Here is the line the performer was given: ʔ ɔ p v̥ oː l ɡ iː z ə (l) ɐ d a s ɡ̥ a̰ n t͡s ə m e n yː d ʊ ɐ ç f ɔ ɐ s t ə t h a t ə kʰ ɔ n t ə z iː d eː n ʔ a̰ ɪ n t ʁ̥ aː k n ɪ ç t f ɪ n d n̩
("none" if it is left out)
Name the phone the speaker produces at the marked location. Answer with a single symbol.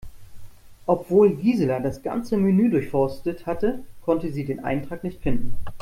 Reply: l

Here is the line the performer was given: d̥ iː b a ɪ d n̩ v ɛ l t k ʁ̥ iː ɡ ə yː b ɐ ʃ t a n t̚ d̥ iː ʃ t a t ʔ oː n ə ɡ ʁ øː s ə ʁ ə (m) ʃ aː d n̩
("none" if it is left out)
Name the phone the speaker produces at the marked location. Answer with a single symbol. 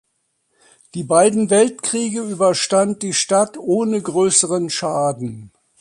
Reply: n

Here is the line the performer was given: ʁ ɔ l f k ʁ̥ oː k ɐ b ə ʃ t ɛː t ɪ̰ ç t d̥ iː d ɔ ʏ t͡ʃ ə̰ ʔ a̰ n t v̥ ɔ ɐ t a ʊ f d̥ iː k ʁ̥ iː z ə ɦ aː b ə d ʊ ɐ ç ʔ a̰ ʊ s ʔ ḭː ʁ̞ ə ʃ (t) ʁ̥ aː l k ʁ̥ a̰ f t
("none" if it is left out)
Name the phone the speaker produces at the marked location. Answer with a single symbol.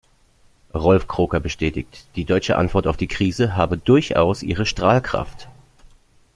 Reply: t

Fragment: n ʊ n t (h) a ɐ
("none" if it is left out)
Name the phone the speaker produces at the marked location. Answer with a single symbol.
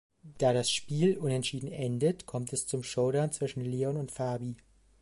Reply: f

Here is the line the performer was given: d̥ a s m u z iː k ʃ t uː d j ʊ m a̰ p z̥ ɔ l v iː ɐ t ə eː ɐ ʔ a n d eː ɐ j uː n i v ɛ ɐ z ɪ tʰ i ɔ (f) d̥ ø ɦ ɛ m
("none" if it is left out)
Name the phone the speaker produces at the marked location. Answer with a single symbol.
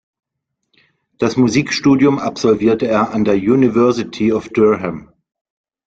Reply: f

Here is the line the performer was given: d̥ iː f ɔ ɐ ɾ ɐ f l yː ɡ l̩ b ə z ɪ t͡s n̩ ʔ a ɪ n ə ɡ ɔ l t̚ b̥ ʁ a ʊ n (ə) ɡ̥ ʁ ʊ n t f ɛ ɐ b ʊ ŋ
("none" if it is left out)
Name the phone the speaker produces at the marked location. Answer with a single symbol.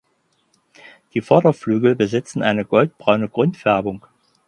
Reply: ə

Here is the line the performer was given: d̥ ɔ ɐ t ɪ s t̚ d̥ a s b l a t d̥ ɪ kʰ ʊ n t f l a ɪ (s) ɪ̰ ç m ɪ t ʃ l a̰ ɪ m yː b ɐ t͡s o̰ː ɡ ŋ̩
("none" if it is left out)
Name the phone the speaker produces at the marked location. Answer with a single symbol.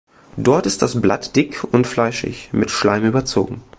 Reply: ʃ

